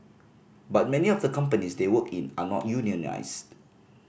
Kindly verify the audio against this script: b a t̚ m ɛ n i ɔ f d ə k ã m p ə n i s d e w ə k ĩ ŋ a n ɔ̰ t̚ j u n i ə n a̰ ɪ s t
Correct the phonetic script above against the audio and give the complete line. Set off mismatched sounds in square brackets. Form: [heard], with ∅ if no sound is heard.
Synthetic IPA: b a t̚ m ɛ n i ɔ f d ə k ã m p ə n i s d e w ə k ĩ [n] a n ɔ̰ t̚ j u n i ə n a̰ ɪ s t